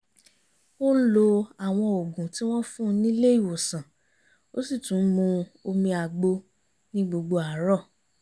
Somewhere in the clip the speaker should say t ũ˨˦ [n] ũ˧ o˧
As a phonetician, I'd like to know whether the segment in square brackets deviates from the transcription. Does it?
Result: yes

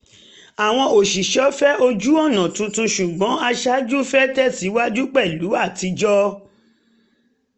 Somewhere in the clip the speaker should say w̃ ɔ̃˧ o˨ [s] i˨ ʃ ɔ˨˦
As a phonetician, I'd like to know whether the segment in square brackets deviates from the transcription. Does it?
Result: yes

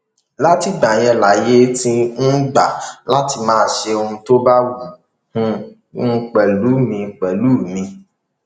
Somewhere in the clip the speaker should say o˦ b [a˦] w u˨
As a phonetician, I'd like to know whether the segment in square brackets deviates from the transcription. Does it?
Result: no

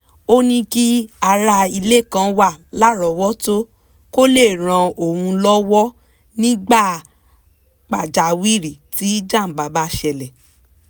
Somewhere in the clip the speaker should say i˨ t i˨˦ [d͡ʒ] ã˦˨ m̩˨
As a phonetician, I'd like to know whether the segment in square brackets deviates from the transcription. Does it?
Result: no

